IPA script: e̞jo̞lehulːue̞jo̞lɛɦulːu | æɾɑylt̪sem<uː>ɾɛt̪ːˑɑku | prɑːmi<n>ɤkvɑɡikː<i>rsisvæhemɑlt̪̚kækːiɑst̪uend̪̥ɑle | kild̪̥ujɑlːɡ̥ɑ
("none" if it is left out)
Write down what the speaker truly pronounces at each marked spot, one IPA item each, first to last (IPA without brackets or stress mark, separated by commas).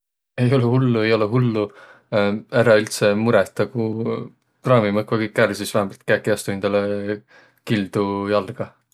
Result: u, m, æ